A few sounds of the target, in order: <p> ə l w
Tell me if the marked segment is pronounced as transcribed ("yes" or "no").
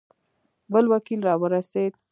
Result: no